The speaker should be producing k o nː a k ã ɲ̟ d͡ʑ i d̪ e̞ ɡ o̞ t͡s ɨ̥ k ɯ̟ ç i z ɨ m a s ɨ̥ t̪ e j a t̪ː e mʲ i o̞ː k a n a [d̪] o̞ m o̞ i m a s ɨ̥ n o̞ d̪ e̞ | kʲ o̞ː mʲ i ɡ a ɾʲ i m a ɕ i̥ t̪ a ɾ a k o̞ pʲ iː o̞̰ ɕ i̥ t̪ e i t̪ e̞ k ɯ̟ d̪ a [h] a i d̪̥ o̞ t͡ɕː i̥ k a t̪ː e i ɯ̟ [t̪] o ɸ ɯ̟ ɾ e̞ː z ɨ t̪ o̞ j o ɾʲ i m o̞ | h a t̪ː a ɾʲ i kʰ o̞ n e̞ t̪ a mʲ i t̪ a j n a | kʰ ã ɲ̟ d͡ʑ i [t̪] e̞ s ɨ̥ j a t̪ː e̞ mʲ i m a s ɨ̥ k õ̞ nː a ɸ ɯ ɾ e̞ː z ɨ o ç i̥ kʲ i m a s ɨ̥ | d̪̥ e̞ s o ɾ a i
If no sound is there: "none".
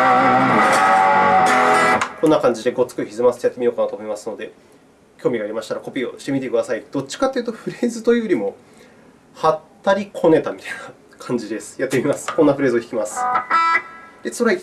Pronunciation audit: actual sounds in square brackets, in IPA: t̪, s, t̪, d̪

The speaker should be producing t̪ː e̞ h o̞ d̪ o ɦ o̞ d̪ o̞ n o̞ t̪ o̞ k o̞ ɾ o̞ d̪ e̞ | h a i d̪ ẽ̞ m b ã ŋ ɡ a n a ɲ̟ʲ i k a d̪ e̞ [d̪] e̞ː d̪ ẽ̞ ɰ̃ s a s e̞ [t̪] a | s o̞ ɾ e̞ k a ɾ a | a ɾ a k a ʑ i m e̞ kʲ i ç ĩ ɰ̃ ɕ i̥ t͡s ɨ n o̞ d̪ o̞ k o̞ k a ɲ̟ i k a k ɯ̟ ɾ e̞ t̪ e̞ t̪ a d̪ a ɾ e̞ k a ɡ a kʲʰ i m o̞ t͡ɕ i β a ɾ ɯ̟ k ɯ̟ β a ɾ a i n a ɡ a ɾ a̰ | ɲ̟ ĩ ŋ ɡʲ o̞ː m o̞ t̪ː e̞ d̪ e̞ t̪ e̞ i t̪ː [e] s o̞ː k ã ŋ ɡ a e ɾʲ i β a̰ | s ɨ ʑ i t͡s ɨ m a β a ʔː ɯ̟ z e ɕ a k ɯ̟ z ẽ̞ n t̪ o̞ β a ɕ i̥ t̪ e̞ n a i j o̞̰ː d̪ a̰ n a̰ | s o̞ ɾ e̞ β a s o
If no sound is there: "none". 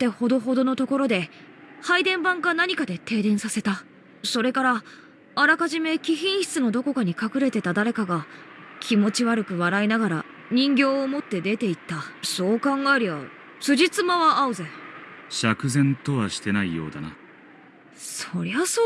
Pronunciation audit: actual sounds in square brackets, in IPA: t̪, t̪, a

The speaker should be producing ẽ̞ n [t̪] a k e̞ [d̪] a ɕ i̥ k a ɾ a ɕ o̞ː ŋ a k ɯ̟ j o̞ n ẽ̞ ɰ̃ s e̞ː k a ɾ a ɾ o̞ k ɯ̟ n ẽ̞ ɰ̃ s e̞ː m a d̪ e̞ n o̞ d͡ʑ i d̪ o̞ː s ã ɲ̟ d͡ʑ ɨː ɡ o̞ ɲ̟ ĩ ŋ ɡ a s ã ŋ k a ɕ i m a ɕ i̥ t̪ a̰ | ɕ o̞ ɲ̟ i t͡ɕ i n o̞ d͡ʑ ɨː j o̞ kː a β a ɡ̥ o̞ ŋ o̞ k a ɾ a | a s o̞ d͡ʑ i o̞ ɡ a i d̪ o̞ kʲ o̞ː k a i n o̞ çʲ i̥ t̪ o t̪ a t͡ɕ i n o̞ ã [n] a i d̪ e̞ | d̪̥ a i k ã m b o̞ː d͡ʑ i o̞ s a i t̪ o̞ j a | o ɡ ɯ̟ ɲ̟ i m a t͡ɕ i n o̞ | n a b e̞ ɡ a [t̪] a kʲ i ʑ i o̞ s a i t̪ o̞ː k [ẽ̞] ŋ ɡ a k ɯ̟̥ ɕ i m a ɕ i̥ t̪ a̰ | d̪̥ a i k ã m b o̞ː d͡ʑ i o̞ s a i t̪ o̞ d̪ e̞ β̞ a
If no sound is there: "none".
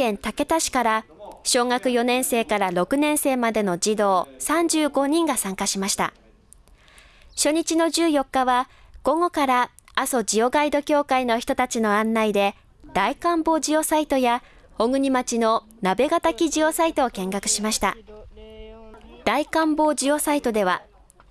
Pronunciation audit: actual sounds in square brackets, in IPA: t̪, t̪, nː, t̪, ẽ̞

